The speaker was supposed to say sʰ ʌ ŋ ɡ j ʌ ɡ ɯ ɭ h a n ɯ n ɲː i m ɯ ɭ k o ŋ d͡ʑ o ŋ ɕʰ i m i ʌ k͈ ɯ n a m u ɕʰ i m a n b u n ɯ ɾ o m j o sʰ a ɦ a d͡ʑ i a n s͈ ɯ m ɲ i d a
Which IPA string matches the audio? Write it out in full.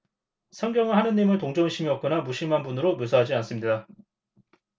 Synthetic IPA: sʰ ʌ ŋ ɡ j ʌ ŋ ɯ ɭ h a n ɯ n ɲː i m ɯ ɭ t o ŋ d͡ʑ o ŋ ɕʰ i m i ʌ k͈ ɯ n a m u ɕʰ i m a n b u n ɯ ɾ o m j o sʰ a ɦ a d͡ʑ i a n s͈ ɯ m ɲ i d a